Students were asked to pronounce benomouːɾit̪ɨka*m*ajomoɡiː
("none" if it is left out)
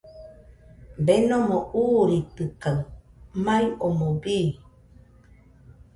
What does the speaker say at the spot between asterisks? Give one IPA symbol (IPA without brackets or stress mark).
m